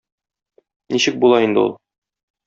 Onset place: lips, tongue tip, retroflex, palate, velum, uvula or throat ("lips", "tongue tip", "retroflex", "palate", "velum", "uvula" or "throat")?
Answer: tongue tip